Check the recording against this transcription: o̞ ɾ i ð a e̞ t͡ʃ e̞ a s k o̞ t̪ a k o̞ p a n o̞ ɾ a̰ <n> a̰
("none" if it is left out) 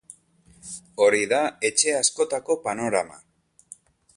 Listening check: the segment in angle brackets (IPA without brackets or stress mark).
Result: m